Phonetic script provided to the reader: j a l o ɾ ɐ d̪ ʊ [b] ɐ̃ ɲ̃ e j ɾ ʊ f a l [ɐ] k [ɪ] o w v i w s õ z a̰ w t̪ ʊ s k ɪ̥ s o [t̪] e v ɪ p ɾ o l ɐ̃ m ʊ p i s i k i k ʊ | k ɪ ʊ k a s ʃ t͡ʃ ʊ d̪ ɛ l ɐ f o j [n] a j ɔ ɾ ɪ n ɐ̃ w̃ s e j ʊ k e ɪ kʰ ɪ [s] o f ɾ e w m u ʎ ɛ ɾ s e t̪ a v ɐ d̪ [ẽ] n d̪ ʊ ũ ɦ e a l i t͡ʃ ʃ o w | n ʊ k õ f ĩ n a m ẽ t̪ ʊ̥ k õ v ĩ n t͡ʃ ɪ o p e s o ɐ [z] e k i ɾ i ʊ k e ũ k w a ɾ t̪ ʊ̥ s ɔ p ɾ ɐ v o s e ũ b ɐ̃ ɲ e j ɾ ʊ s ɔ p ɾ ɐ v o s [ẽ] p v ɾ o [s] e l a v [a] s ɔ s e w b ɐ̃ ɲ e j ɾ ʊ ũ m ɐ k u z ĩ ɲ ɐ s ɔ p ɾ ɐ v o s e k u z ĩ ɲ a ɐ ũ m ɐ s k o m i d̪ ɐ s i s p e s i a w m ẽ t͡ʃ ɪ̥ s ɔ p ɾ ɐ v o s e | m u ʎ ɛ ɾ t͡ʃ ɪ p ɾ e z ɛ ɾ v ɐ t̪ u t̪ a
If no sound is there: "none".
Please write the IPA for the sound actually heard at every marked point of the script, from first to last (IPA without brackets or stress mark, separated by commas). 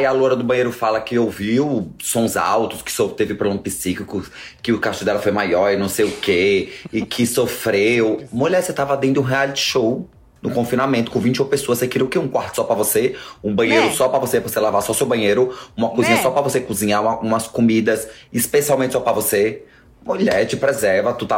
b, ɐ, ɪ, t̪, m, s, ẽ, s, e, s, a